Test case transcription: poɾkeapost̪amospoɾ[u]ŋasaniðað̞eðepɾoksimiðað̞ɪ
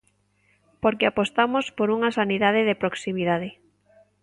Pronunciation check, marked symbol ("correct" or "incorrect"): correct